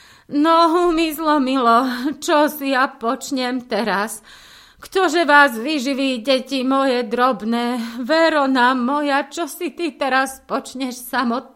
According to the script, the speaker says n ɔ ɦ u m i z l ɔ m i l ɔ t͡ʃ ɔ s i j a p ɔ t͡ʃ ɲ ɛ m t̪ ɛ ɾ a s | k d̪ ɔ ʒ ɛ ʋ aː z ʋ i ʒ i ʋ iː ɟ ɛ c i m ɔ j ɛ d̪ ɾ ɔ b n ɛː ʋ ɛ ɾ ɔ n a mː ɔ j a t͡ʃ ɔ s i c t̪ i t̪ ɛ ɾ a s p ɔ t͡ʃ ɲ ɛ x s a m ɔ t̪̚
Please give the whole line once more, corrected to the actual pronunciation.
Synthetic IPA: n ɔ ɦ u m i z l ɔ m i l ɔ t͡ʃ ɔ s i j a p ɔ t͡ʃ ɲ ɛ m t̪ ɛ ɾ a s | k t̪ ɔ ʒ ɛ ʋ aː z ʋ i ʒ i ʋ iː ɟ ɛ c i m ɔ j ɛ d̪ ɾ ɔ b n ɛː ʋ ɛ ɾ ɔ n a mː ɔ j a t͡ʃ ɔ s i t̪ i t̪ ɛ ɾ a s p ɔ t͡ʃ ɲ ɛ ʃ s a m ɔ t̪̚